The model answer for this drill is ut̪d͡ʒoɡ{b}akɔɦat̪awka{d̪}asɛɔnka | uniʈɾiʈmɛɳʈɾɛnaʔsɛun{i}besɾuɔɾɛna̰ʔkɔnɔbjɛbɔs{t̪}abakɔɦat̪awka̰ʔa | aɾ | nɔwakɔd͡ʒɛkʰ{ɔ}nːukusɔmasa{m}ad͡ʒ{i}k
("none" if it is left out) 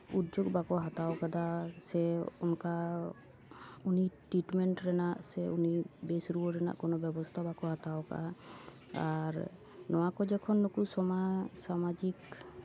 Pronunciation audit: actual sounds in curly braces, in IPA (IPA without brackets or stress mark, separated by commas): b, d̪, i, t̪ʰ, ɔ, m, i